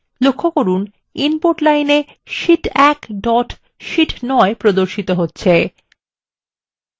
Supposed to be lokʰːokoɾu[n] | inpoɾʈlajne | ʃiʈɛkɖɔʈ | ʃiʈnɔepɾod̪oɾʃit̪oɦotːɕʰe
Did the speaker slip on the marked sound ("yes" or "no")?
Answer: no